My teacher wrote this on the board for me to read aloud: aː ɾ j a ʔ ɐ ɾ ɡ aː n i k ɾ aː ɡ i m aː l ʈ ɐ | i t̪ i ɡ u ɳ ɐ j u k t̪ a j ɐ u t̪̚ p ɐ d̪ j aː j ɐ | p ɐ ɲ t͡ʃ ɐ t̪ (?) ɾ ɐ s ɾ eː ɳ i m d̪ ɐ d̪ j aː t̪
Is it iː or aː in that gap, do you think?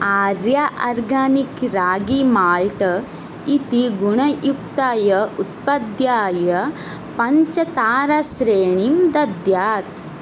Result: aː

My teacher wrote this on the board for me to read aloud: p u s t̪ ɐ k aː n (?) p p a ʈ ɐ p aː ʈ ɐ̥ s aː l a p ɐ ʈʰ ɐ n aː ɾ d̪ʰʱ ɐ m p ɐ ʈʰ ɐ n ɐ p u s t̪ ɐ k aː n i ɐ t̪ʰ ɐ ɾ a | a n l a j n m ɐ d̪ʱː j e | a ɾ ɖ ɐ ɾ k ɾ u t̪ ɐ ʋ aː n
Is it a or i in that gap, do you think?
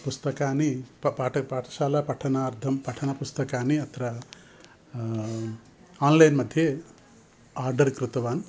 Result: i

